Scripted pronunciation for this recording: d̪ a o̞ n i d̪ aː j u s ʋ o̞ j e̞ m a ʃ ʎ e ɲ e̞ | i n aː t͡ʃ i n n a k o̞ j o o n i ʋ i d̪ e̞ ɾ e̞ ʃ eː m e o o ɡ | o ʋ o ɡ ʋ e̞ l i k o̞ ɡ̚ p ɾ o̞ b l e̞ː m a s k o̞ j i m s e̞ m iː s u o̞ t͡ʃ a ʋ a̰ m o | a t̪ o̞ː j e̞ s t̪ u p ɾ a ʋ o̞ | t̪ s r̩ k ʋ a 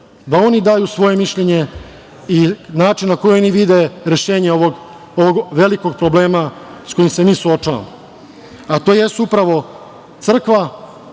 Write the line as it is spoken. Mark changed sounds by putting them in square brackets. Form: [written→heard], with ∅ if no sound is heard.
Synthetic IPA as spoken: d̪ a o̞ n i d̪ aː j u s ʋ o̞ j e̞ m [a→i] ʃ ʎ e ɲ e̞ | i n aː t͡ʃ i n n a k o̞ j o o n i ʋ i d̪ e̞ ɾ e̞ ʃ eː [m→ɲ] e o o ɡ | o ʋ o ɡ ʋ e̞ l i k o̞ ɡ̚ p ɾ o̞ b l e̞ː m a s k o̞ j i m s e̞ m iː s u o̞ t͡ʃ a ʋ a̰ m o | a t̪ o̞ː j e̞ s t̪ u p ɾ a ʋ o̞ | t̪ s r̩ k ʋ a